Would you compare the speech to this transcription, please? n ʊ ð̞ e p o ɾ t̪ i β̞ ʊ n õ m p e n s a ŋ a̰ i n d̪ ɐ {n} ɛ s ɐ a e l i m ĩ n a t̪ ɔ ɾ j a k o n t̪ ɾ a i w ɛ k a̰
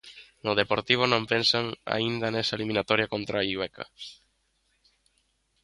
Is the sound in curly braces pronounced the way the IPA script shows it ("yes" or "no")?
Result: yes